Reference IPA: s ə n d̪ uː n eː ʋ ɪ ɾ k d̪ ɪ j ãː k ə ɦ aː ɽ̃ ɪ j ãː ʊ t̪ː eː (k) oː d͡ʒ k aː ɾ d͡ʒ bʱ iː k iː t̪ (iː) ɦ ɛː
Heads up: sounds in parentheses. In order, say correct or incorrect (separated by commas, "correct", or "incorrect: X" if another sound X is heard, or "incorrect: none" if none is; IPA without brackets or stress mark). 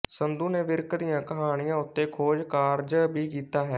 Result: incorrect: kʰ, incorrect: aː